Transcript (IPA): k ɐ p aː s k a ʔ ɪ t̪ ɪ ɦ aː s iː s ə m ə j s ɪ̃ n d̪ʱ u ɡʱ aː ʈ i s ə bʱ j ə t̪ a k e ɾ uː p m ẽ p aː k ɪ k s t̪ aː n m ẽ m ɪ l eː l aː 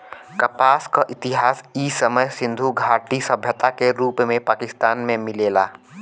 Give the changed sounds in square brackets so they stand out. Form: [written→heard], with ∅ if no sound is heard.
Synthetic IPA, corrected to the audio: k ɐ p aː s k a ʔ ɪ t̪ ɪ ɦ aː s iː s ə m ə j s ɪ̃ n d̪ʱ u ɡʱ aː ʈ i s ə bʱ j ə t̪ a k e ɾ uː p m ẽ p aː k ɪ [k→∅] s t̪ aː n m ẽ m ɪ l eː l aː